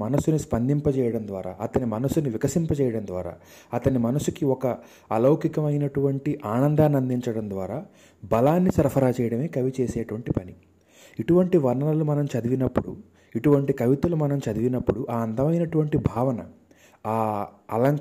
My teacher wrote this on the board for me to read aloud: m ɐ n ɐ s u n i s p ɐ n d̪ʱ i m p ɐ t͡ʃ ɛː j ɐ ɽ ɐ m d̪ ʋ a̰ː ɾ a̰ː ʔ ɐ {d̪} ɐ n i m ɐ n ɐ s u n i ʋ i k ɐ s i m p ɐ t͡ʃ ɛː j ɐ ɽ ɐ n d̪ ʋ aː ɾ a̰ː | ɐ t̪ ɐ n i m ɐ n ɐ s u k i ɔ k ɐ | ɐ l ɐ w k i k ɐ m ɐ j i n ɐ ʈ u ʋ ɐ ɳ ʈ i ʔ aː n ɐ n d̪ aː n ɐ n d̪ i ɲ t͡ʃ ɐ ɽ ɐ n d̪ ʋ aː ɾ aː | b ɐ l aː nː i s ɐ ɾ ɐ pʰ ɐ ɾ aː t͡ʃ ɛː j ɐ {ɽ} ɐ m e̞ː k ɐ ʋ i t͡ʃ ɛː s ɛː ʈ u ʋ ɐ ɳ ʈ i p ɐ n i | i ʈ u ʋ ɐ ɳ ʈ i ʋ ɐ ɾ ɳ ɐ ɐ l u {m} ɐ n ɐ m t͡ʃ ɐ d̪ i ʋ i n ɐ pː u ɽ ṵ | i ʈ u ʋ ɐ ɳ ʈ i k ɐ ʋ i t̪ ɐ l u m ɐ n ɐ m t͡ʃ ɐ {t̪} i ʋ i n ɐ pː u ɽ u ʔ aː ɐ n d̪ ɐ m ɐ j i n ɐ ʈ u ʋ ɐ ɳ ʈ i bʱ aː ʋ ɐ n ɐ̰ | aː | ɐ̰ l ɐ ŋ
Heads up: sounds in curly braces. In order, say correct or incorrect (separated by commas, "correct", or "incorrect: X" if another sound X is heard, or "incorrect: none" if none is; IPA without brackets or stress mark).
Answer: incorrect: t̪, correct, correct, incorrect: d̪